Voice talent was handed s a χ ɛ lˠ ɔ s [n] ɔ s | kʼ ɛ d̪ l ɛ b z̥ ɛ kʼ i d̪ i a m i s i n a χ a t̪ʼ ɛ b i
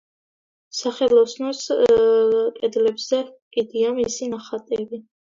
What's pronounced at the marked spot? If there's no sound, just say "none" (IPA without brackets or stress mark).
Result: n